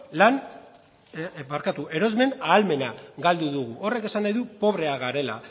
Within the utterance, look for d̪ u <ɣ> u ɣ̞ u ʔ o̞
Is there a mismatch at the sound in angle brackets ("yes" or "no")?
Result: yes